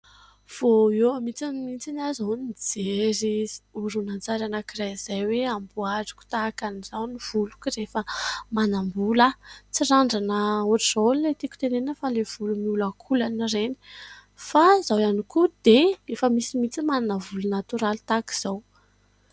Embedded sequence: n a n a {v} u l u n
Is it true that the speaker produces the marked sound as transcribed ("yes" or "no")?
yes